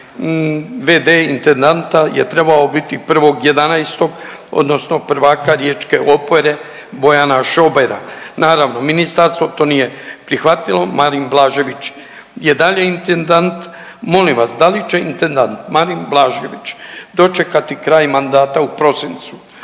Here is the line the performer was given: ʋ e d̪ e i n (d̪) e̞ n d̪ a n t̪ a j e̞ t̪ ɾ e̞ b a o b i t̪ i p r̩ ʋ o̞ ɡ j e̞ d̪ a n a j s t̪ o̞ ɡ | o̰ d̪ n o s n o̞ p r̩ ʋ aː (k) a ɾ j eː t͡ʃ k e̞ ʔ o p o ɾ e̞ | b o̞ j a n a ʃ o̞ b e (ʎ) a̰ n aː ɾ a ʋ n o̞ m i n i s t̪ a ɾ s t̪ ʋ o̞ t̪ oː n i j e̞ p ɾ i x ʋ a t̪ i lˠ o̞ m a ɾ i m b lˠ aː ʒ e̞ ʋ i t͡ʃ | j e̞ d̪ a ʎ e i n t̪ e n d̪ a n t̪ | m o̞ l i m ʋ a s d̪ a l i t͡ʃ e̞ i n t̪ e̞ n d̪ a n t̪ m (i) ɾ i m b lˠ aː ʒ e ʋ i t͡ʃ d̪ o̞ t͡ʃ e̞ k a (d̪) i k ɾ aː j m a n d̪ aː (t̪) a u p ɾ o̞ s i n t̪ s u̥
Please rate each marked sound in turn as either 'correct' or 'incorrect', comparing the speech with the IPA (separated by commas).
incorrect, correct, incorrect, incorrect, incorrect, correct